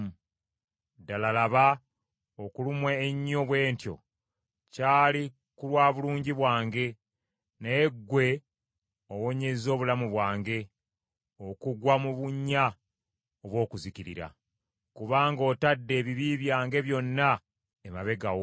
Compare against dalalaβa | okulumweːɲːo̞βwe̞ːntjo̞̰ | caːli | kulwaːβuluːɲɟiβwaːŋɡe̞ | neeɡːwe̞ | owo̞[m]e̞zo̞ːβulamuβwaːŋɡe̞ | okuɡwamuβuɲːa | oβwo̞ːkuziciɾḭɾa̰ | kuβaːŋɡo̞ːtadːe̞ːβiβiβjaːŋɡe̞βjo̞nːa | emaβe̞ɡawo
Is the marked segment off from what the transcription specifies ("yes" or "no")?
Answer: yes